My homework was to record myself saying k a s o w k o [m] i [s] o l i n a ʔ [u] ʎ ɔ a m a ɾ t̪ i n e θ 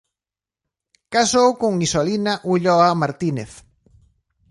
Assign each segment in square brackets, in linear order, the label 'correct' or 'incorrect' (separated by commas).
incorrect, correct, correct